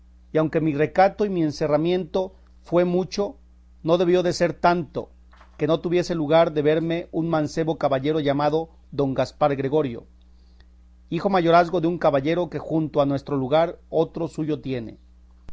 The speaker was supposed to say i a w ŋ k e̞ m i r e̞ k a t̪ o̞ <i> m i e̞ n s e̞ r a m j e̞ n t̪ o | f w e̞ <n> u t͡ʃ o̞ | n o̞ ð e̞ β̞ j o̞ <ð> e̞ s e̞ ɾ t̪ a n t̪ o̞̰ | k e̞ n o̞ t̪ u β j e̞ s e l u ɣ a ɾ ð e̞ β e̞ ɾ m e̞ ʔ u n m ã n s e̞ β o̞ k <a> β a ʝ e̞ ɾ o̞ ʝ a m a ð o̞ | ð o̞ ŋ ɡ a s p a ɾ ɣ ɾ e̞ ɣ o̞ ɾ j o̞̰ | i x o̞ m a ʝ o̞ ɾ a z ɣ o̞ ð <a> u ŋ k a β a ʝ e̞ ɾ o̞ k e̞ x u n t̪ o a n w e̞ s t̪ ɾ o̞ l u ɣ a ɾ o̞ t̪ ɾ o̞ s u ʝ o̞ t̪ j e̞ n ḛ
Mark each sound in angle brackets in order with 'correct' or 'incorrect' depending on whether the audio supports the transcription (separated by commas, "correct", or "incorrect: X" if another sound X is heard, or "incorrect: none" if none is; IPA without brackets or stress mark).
correct, incorrect: m, correct, correct, incorrect: e